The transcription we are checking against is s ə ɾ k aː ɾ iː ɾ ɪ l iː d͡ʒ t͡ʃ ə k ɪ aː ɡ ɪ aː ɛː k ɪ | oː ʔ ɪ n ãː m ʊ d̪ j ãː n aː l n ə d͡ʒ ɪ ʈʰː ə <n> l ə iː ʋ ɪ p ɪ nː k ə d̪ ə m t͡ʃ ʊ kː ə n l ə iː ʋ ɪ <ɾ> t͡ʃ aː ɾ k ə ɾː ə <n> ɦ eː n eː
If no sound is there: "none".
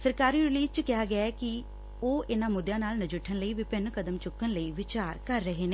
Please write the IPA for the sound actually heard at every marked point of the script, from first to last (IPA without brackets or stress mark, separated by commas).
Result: n, none, none